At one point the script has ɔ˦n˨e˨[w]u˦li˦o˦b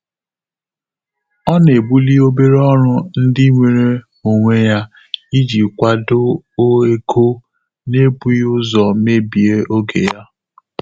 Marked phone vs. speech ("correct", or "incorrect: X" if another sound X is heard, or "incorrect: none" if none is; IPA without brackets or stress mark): incorrect: b